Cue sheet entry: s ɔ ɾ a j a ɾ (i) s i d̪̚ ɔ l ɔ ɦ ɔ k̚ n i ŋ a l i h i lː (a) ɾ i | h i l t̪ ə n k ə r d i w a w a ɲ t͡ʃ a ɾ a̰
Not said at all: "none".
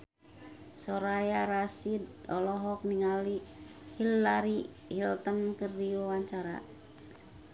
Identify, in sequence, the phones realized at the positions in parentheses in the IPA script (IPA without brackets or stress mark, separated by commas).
a, a